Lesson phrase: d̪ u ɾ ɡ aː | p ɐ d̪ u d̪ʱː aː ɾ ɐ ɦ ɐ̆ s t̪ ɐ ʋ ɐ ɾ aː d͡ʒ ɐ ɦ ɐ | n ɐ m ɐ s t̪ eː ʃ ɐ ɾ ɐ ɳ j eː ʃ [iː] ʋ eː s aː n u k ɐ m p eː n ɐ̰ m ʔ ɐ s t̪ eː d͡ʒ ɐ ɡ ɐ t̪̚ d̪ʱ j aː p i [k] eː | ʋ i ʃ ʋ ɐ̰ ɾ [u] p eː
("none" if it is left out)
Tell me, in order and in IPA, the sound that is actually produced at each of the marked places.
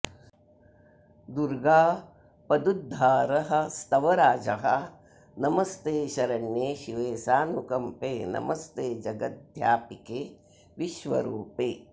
i, k, uː

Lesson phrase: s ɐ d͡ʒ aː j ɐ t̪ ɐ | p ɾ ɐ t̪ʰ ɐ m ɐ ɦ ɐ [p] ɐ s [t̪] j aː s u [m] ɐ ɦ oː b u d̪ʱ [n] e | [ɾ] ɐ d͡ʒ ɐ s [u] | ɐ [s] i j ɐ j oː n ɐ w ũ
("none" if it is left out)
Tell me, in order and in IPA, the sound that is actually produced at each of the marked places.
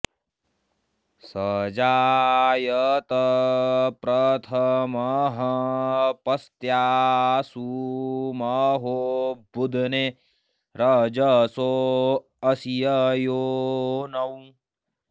p, t̪, m, n, ɾ, o, s

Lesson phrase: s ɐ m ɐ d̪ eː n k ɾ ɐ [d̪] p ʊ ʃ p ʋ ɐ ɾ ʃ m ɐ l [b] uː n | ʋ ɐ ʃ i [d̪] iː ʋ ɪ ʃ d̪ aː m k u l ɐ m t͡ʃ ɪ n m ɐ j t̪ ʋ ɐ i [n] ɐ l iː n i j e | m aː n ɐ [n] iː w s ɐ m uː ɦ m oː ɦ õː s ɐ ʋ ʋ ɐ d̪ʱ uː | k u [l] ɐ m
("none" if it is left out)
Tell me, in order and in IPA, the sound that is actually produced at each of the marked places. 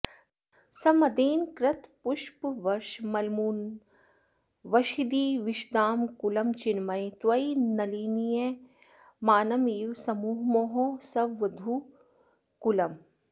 t̪, m, d̪, n, m, l

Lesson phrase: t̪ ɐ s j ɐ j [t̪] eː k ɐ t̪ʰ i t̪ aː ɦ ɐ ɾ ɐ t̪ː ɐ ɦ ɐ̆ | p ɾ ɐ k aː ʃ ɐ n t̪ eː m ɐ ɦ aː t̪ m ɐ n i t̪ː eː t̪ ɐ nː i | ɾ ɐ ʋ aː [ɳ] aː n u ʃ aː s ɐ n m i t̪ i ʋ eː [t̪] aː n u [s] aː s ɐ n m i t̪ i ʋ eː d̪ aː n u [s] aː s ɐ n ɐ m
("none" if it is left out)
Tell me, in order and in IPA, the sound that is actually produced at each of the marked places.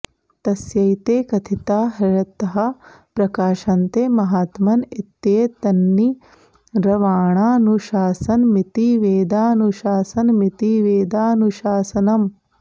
t̪, ɳ, d̪, ʃ, ʃ

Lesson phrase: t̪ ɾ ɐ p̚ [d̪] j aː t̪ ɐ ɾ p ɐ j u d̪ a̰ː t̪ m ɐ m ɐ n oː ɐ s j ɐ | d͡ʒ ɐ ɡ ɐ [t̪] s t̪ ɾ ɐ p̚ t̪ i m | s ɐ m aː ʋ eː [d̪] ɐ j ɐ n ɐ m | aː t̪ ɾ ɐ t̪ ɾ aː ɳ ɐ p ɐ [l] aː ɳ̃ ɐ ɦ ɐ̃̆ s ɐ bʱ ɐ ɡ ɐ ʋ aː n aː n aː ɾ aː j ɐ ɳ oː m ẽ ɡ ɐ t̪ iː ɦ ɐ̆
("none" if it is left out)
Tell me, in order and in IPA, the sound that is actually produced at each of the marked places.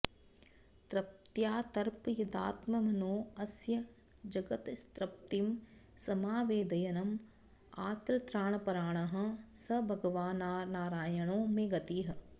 t̪, t̪, d̪, ɾ

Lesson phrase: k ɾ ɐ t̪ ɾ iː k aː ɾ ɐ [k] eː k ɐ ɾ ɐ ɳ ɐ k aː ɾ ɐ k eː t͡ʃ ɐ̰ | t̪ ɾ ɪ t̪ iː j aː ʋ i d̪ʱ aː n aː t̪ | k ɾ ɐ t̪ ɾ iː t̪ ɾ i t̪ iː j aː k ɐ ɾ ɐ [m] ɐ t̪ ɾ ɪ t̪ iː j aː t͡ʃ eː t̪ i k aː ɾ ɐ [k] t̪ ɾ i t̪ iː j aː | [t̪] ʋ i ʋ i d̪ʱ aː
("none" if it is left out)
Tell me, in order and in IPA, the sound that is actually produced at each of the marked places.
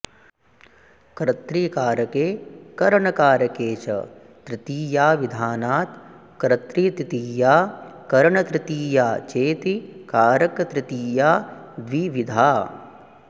k, ɳ, k, d̪

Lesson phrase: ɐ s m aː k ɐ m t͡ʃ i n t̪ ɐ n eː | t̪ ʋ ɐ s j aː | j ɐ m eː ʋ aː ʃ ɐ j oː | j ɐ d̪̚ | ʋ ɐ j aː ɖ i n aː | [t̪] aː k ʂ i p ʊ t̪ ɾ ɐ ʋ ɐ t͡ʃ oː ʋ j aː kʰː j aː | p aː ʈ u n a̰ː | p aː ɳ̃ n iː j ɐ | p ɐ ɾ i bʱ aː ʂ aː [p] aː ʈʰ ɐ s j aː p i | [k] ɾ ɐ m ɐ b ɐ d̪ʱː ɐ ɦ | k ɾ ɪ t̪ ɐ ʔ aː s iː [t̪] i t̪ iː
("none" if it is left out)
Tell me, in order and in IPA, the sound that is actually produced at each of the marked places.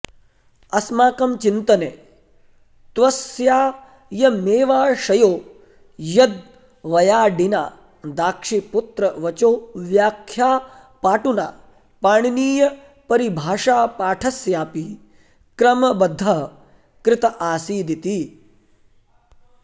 d̪, p, k, d̪

